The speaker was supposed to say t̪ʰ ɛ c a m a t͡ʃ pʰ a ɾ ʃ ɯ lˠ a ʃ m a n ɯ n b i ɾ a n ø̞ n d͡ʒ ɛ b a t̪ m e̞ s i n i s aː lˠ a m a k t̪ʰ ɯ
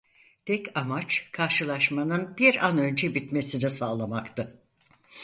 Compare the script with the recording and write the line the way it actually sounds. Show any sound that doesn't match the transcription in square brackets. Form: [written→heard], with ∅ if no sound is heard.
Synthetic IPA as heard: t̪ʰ ɛ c a m a t͡ʃ [pʰ→kʰ] a ɾ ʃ ɯ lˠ a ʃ m a n ɯ n b i ɾ a n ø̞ n d͡ʒ ɛ b [a→i] t̪ m e̞ s i n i s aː lˠ a m a k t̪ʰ ɯ